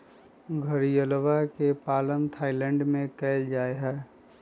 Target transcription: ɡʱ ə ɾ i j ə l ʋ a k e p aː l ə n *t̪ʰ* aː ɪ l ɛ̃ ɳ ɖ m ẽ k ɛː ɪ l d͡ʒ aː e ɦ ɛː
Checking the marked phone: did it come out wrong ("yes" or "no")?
no